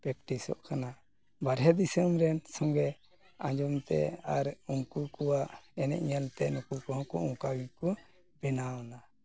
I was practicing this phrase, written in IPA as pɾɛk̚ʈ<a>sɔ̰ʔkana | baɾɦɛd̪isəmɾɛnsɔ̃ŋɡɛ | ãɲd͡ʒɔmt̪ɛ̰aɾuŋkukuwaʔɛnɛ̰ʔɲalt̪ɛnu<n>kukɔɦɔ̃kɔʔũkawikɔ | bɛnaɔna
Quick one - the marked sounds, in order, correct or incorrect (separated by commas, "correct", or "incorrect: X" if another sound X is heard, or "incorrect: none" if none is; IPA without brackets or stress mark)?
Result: incorrect: i, incorrect: none